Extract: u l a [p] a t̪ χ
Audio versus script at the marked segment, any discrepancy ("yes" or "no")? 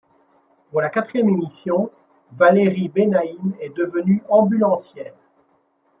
yes